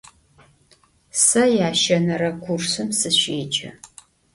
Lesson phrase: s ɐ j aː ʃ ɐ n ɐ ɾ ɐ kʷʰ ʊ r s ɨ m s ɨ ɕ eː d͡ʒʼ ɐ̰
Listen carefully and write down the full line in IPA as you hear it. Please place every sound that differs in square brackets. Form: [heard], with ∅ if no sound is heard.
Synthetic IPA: s ɐ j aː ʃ ɐ n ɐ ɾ ɐ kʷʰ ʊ r s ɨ m s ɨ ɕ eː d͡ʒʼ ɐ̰